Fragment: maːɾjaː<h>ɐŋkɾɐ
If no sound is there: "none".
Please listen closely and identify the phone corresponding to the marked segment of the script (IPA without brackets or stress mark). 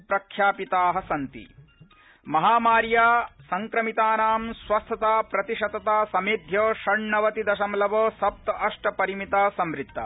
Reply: s